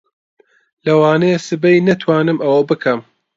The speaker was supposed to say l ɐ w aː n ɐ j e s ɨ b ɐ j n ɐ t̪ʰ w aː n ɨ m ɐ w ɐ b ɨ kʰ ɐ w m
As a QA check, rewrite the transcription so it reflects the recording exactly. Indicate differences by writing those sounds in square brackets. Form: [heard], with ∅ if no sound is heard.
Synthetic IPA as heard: l ɐ w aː n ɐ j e s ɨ b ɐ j n ɐ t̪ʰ w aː n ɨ m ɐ w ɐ b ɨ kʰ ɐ [∅] m